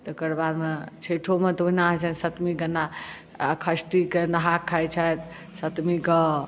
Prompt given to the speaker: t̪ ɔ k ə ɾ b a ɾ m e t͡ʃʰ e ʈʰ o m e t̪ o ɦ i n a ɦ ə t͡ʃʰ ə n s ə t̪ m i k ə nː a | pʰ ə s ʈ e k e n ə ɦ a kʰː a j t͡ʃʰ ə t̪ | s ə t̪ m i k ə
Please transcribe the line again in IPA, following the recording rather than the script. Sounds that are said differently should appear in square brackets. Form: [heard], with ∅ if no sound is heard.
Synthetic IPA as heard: t̪ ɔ k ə ɾ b a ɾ m e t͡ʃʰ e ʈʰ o m e t̪ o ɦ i n a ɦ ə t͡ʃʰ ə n s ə t̪ m i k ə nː a | [kʰ] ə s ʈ [i] k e n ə ɦ a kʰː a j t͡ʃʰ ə t̪ | s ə t̪ m i k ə